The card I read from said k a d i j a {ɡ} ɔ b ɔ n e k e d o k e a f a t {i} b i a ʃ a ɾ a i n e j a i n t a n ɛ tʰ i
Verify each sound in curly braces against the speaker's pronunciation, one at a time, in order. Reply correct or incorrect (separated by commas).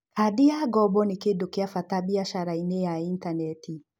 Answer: correct, incorrect